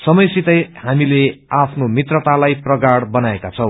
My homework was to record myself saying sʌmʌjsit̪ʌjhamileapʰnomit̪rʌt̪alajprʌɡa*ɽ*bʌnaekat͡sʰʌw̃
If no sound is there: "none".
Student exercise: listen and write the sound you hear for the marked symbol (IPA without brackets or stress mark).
ɽ